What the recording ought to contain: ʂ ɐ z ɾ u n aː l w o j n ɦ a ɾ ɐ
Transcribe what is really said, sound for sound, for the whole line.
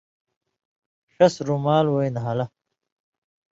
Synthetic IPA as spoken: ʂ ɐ s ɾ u m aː l w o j n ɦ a l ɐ